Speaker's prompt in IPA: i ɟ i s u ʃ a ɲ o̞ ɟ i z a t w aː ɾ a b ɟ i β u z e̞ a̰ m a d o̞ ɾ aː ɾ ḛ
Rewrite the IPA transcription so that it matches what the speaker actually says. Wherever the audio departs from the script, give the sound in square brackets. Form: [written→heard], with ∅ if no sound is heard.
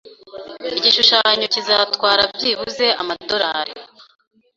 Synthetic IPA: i ɟ i [s→ʃ] u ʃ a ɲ o̞ [ɟ→c] i z a t w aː ɾ a b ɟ i β u z e̞ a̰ m a d o̞ ɾ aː ɾ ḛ